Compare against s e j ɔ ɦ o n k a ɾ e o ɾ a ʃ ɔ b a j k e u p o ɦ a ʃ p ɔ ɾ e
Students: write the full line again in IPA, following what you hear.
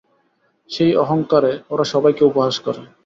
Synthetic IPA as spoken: ʃ e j ɔ ɦ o ŋ k a ɾ e o ɾ a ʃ ɔ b a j k e u p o ɦ a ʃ k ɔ ɾ e